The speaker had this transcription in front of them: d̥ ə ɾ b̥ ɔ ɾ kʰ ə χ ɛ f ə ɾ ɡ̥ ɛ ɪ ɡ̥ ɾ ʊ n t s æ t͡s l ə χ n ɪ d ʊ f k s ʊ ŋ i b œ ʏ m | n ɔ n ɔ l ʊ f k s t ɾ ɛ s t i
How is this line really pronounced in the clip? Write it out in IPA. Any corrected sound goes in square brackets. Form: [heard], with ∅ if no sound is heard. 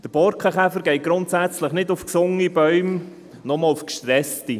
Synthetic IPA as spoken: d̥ ə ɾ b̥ ɔ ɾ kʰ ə χ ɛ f ə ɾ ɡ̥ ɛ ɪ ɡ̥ ɾ ʊ n t s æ t͡s l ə χ n ɪ d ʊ f k s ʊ ŋ i b œ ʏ m | n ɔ [m] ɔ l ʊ f k [ʃ] t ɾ ɛ s t i